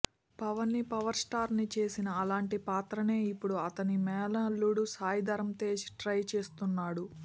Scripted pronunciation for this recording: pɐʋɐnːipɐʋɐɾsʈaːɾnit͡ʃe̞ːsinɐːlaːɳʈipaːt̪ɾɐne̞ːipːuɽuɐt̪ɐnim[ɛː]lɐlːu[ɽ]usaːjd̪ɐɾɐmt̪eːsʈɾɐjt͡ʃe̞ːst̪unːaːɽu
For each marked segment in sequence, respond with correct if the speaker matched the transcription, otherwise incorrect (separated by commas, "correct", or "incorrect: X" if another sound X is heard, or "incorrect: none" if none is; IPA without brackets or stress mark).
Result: correct, correct